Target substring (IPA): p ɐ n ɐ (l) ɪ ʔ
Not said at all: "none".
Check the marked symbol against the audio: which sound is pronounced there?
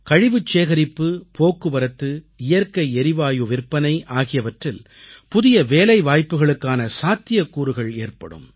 none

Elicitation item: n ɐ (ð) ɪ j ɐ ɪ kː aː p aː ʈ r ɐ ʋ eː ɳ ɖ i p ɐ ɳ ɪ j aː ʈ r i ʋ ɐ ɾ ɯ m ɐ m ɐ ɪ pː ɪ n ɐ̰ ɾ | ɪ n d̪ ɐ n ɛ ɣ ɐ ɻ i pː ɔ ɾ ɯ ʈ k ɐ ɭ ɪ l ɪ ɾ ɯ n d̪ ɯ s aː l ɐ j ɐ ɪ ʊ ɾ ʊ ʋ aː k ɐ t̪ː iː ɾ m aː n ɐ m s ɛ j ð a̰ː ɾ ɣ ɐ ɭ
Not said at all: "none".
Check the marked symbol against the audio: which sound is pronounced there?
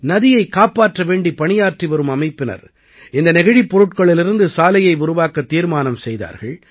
ð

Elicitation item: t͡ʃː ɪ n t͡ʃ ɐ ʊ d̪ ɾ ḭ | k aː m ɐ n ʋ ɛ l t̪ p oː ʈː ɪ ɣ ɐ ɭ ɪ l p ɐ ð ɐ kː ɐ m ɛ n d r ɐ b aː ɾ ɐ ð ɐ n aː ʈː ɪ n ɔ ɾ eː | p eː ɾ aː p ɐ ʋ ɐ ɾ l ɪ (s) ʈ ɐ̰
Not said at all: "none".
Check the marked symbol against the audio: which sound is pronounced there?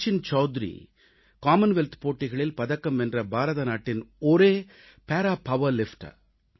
f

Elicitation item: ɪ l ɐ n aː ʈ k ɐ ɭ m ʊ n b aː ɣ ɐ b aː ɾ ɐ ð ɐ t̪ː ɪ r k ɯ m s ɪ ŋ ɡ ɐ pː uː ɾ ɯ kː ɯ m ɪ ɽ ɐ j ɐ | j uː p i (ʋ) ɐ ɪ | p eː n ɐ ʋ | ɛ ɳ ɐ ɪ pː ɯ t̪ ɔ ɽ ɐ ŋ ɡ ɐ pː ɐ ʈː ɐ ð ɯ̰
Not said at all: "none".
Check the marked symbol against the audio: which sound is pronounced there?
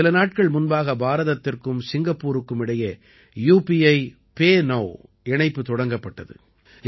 none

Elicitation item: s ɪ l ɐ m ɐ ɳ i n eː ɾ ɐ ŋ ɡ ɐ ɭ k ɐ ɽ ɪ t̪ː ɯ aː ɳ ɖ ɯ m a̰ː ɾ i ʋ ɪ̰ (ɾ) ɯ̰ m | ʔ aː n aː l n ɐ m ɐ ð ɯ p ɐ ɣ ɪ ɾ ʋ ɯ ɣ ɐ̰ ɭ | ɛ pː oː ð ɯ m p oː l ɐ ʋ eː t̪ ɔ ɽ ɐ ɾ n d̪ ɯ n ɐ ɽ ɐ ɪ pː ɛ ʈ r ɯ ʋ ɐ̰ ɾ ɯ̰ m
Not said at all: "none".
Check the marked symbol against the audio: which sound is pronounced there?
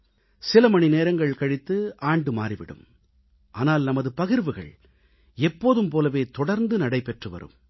ɽ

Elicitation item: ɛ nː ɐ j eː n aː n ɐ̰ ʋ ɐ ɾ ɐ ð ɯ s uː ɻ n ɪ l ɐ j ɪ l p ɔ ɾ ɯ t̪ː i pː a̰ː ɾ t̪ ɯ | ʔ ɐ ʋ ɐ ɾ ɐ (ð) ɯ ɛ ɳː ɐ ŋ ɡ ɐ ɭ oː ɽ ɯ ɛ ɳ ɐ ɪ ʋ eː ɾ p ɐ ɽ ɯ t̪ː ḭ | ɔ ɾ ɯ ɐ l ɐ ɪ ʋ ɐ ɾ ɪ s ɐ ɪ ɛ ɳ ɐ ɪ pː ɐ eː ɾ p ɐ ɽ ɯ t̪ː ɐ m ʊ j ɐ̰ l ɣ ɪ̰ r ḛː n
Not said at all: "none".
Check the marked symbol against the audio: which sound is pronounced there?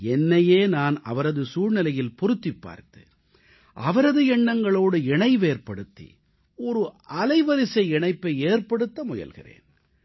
ð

